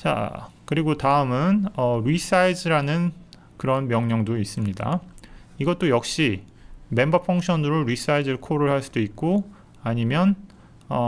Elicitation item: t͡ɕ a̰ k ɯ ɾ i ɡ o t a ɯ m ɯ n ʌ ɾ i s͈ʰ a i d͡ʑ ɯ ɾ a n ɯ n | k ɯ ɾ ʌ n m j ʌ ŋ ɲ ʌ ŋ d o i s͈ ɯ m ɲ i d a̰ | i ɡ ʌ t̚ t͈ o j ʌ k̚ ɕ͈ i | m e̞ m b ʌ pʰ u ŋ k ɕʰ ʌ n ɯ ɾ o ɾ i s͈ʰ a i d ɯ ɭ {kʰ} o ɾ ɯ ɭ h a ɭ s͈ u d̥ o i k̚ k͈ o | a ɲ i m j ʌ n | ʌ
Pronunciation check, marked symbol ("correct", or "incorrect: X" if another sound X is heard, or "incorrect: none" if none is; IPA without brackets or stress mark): correct